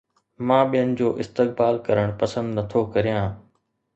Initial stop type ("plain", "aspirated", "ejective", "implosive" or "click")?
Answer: implosive